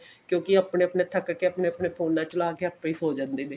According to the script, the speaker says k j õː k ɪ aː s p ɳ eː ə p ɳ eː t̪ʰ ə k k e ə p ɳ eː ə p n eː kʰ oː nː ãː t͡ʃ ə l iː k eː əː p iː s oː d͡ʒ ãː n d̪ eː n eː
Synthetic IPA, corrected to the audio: k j õː k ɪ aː p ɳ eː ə p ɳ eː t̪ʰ ə k k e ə p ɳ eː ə p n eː pʰ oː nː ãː t͡ʃ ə l aː k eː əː p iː s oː d͡ʒ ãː n d̪ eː n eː